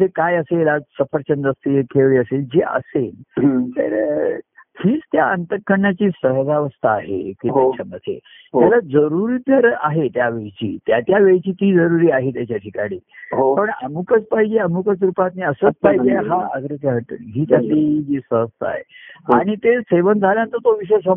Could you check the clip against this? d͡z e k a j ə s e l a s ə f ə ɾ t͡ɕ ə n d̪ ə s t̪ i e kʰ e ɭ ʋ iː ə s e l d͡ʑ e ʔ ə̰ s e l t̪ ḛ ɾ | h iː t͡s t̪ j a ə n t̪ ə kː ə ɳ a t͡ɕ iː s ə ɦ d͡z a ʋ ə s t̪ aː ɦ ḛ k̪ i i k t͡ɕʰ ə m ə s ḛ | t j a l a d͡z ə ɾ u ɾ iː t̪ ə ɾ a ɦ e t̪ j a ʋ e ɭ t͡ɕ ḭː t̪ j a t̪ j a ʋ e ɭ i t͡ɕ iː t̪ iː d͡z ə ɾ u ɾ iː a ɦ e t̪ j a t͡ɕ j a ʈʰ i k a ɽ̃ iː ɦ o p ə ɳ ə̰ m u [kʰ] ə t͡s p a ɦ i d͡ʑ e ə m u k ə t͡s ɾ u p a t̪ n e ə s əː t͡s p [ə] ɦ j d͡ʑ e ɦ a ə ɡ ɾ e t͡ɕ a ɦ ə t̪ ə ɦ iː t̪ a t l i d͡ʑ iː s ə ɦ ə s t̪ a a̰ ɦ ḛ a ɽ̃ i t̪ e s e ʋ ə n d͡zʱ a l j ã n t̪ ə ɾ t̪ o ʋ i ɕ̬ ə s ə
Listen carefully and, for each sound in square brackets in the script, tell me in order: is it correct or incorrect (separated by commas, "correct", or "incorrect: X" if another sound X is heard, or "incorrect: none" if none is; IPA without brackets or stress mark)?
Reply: incorrect: k, incorrect: a